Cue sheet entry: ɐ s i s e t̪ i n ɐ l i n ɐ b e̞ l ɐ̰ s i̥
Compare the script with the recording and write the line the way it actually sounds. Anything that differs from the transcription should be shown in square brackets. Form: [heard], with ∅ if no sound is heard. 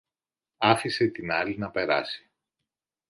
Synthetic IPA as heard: ɐ [f] i s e t̪ i n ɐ l i n ɐ [p] e̞ [ɾ] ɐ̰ s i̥